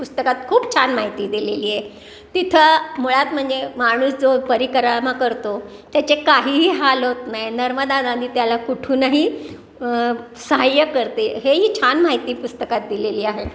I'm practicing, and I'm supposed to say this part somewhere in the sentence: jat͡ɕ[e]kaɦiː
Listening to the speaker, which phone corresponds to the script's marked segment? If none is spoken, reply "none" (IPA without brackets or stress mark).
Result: e